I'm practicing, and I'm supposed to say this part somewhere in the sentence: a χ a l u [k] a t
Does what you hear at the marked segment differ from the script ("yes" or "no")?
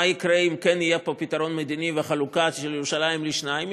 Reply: no